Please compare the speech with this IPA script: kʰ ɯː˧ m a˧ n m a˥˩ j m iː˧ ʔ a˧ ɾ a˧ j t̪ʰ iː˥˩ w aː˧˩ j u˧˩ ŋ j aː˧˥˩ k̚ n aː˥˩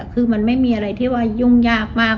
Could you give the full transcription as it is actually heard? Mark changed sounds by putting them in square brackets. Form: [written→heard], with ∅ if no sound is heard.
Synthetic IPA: kʰ ɯː˧ m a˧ n m a˥˩ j m iː˧ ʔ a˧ ɾ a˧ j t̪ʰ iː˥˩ w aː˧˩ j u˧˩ ŋ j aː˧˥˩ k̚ [n→m] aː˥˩